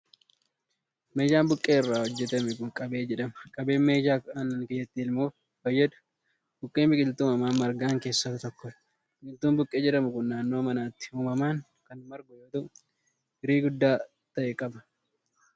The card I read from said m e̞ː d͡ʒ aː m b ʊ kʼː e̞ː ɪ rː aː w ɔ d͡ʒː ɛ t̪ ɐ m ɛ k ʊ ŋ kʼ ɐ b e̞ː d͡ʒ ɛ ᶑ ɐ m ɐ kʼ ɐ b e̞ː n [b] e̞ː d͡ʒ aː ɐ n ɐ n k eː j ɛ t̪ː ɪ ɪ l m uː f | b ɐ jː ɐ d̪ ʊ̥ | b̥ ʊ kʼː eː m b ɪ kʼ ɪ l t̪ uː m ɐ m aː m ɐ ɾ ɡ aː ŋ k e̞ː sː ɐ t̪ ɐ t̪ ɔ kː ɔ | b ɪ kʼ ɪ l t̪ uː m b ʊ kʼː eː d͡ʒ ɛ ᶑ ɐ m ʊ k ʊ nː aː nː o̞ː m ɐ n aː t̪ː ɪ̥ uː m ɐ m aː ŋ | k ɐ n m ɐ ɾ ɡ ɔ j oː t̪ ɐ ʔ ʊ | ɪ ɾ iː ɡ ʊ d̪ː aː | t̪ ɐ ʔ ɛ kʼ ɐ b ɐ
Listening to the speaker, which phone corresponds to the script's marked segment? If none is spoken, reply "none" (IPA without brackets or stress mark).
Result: m